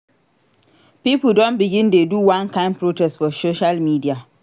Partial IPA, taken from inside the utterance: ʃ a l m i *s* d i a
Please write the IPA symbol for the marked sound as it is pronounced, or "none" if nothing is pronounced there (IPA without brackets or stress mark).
none